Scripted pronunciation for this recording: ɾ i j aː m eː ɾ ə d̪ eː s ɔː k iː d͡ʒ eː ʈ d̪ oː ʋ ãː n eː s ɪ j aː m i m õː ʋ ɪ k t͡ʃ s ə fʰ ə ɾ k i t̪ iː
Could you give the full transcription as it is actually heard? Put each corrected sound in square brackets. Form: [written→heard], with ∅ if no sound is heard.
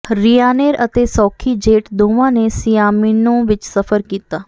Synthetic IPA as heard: ɾ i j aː [m→n] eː ɾ ə [d̪→t̪] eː s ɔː [k→kʰ] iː d͡ʒ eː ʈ d̪ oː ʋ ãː n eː s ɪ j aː m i [m→n] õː ʋ ɪ [k→∅] t͡ʃ s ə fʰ ə ɾ k [i→iː] t̪ [iː→aː]